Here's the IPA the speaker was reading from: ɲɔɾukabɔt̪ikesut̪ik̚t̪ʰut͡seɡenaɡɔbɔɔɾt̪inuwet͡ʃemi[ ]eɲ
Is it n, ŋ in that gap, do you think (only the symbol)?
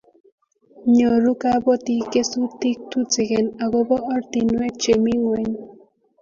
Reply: ŋ